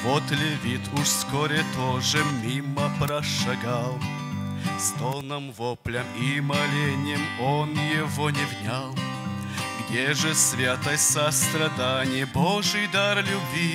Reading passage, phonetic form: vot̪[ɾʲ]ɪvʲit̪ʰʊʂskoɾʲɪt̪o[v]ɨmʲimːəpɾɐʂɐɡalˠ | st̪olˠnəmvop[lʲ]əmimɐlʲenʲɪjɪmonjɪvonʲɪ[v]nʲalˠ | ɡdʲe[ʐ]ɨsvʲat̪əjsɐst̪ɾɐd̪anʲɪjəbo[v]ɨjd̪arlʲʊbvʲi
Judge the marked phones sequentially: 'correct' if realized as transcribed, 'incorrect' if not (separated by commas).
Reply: incorrect, incorrect, correct, correct, correct, incorrect